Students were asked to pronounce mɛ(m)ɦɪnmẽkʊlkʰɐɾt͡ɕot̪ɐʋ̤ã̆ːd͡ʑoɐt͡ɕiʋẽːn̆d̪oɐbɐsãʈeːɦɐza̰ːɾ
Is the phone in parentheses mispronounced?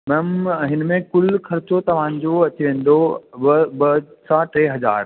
no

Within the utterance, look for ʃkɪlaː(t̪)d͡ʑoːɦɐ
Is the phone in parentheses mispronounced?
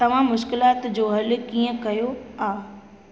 no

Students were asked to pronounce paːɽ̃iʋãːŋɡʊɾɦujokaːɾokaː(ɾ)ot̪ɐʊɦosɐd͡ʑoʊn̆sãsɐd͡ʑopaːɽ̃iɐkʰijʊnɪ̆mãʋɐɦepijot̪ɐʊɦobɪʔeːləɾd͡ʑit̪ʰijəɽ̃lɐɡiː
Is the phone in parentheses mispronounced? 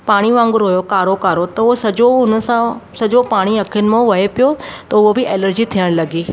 no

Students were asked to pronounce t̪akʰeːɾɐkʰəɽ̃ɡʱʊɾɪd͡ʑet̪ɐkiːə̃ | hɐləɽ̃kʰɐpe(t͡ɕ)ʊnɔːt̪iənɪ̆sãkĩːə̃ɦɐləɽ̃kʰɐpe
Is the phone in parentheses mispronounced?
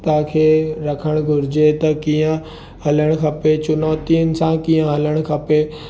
no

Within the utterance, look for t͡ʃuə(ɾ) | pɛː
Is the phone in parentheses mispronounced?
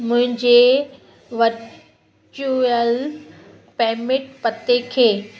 yes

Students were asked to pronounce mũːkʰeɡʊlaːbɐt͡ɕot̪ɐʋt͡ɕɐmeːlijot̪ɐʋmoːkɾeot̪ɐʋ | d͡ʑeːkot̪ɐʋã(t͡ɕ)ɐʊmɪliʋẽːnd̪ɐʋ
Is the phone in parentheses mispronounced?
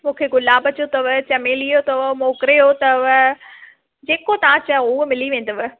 no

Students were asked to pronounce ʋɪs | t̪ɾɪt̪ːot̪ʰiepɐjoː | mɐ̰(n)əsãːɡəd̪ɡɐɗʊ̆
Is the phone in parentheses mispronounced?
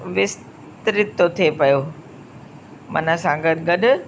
no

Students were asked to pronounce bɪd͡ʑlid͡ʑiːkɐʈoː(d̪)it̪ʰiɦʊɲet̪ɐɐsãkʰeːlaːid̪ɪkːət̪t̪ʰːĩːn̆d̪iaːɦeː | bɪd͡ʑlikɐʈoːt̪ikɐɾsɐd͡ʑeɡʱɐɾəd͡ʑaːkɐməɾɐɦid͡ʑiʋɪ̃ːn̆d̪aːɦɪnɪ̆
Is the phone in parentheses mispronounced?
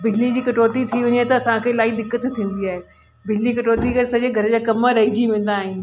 yes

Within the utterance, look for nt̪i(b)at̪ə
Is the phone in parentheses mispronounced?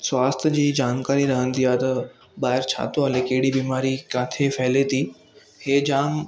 yes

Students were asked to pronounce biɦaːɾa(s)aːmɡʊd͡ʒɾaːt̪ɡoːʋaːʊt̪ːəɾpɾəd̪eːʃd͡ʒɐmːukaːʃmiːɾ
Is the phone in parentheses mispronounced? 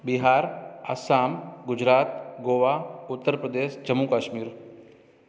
no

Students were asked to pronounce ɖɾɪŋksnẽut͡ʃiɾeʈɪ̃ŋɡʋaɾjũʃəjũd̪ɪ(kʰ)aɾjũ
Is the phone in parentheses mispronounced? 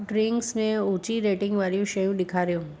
no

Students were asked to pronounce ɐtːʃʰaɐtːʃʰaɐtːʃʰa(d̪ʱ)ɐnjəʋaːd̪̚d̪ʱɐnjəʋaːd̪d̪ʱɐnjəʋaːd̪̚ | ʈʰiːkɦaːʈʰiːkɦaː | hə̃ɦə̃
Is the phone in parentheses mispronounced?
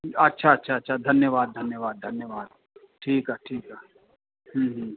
no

